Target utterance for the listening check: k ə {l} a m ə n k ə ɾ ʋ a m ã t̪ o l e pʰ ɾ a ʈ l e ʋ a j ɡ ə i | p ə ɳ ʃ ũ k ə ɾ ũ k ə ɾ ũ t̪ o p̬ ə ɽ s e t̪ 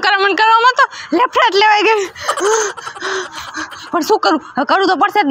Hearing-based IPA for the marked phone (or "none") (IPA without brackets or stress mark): ɾ